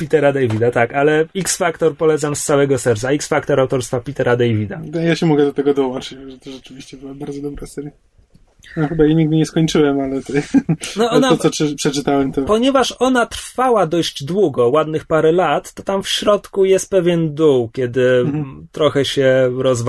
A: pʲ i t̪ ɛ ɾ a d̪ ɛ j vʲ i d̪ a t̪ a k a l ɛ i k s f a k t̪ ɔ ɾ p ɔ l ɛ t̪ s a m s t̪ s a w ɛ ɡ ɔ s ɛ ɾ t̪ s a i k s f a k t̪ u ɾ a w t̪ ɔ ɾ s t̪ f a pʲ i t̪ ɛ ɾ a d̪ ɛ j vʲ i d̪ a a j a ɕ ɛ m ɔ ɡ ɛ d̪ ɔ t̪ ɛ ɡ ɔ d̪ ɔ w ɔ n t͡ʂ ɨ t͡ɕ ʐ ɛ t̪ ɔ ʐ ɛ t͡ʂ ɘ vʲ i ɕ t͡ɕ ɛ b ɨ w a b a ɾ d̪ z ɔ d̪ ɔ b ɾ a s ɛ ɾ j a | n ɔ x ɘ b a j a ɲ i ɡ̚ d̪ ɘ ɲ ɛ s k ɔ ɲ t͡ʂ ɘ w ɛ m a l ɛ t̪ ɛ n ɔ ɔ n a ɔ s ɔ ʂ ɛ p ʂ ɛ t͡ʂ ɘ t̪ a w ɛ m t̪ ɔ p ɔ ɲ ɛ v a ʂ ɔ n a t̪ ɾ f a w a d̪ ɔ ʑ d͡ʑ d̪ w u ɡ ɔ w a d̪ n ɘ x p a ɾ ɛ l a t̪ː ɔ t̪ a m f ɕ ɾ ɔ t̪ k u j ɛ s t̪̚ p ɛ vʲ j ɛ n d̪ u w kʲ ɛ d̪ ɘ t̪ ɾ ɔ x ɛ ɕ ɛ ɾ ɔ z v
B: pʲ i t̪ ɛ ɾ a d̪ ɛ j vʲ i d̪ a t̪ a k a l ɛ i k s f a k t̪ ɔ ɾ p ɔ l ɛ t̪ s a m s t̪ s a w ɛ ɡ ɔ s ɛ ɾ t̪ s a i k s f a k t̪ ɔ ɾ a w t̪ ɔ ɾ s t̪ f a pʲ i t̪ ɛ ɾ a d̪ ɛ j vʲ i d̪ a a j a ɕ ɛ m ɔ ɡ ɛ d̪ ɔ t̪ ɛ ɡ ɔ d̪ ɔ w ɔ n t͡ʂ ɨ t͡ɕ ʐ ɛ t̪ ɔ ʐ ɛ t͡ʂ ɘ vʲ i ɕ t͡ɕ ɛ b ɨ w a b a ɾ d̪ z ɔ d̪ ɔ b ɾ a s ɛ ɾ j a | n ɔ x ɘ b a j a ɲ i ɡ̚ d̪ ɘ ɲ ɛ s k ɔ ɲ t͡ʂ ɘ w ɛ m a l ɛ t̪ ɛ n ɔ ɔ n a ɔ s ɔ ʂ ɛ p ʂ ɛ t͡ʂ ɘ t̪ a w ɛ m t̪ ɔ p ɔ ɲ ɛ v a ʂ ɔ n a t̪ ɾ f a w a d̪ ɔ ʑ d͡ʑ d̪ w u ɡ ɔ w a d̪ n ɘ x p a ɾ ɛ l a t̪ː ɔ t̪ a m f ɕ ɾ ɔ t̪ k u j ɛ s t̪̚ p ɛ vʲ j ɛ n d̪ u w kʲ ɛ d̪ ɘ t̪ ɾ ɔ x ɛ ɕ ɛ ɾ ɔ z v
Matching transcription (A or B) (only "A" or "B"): B